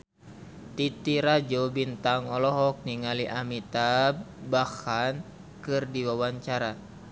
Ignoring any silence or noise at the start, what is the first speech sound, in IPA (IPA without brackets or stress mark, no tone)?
t̪